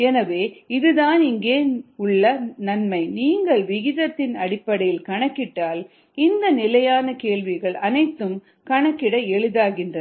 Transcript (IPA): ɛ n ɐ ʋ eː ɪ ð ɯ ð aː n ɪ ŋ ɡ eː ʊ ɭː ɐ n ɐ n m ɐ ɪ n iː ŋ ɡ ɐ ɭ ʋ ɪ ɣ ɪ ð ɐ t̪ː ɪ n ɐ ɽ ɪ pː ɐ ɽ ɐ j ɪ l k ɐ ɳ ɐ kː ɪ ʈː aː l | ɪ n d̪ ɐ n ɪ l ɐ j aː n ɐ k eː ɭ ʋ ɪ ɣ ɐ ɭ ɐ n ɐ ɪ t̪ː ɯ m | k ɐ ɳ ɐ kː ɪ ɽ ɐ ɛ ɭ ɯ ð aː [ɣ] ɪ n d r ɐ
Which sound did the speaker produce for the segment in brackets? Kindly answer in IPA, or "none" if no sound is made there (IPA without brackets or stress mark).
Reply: ɣ